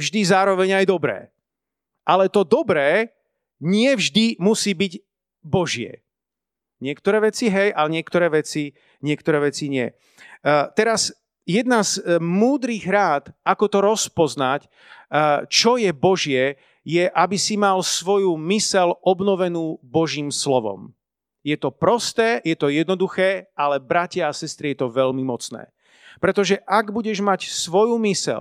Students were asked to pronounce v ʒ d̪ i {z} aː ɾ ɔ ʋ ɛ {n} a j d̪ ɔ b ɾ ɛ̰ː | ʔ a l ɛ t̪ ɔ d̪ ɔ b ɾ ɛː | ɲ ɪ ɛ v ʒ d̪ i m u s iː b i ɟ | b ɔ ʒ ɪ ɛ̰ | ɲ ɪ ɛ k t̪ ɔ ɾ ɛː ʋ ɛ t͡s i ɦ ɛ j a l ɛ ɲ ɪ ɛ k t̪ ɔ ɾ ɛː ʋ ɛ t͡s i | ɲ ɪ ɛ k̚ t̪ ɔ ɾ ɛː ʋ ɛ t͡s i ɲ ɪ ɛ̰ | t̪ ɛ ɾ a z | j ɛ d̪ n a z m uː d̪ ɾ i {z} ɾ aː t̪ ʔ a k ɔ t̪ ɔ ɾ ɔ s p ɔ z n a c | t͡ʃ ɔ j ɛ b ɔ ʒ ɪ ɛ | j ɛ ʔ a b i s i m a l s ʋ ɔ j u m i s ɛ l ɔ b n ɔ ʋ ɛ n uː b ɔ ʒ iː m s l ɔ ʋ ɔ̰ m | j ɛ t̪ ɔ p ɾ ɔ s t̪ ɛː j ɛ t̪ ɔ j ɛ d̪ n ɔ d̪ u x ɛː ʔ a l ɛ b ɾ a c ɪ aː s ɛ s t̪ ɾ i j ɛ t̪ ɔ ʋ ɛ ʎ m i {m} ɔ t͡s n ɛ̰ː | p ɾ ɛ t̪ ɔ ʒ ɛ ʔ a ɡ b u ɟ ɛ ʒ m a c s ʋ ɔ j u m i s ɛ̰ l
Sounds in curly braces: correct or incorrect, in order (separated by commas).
correct, incorrect, incorrect, correct